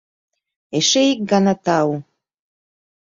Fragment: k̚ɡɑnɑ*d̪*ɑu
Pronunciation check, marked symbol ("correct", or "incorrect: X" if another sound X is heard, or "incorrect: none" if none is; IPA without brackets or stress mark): incorrect: t̪